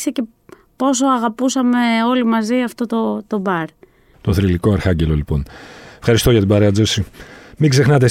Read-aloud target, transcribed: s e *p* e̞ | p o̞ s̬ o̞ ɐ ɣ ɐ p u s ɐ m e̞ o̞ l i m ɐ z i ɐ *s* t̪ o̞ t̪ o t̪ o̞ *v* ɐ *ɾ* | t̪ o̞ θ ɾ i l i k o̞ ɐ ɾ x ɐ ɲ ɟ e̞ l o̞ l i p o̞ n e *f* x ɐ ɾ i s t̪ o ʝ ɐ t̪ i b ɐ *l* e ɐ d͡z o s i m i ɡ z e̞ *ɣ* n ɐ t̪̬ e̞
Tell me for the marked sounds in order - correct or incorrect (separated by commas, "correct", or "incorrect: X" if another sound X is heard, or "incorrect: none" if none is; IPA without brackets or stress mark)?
incorrect: c, incorrect: f, incorrect: b, correct, correct, incorrect: ɾ, incorrect: x